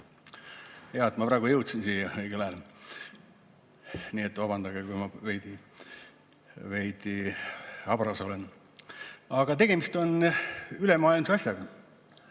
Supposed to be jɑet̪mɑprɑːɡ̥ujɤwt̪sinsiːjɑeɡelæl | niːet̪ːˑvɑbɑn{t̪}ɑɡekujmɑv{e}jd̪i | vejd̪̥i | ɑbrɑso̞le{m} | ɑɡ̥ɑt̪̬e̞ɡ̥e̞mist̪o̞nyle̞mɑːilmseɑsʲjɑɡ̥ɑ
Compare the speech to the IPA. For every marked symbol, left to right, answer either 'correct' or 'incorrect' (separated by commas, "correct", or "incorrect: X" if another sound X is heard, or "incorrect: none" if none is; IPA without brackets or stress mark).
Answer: incorrect: d̪, correct, incorrect: n